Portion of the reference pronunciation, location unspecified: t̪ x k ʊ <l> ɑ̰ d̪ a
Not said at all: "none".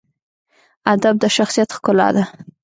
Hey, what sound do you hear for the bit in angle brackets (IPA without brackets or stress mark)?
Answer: l